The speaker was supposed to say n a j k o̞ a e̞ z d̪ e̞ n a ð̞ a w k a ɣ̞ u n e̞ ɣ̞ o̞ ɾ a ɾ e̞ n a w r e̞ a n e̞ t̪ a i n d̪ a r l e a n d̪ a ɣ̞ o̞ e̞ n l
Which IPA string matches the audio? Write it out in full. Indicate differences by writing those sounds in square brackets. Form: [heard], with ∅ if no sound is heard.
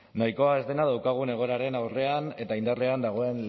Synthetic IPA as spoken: n a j k o̞ a e̞ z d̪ e̞ n a ð̞ a w k a ɣ̞ u n e̞ ɣ̞ o̞ ɾ a ɾ e̞ n a w r e̞ a n e̞ t̪ a i n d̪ a r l e a n d̪ a ɣ̞ o̞ e̞ n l